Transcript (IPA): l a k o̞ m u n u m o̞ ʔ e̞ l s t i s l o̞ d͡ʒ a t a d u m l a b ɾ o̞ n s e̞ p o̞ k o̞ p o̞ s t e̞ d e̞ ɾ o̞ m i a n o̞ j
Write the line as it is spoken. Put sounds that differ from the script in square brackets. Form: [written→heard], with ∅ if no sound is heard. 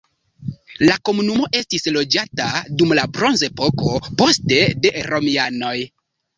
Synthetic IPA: l a k o̞ m u n u m o̞ ʔ e̞ [l→∅] s t i s l o̞ d͡ʒ a t a d u m l a b ɾ o̞ n [s→z] e̞ p o̞ k o̞ p o̞ s t e̞ d e̞ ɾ o̞ m i a n o̞ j